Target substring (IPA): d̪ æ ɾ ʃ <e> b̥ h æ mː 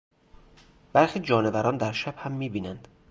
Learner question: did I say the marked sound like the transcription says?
no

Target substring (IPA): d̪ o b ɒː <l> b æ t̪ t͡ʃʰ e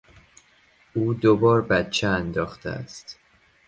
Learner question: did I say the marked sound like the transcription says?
no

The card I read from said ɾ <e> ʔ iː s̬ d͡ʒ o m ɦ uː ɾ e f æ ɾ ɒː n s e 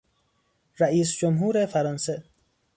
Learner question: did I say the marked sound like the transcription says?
no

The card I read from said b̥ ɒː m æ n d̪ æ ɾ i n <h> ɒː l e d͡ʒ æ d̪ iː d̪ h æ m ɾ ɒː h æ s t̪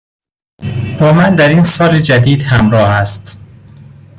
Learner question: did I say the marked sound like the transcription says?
no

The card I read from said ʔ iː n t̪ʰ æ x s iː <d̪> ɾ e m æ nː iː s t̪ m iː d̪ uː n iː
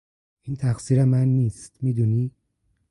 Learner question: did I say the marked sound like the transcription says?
no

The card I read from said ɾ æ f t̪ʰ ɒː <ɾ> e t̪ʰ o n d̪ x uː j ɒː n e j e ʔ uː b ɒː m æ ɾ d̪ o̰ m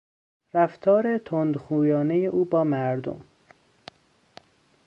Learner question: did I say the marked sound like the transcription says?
yes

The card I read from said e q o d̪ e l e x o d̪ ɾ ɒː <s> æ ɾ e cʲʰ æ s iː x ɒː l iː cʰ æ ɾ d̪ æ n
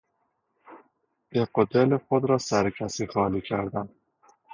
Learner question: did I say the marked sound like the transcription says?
yes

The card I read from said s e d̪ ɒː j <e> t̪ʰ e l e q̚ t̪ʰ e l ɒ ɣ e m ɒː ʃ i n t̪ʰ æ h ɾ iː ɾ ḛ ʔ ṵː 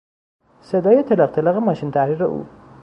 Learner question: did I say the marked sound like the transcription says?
yes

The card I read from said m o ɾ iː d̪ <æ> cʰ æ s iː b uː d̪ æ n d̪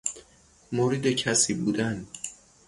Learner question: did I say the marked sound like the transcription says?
no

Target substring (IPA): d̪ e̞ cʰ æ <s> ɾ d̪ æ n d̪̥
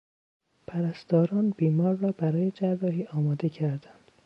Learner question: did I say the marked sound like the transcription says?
no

